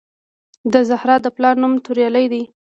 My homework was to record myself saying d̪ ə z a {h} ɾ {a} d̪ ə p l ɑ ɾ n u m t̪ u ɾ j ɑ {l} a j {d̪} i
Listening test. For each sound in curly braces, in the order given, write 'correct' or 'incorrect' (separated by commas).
correct, incorrect, correct, correct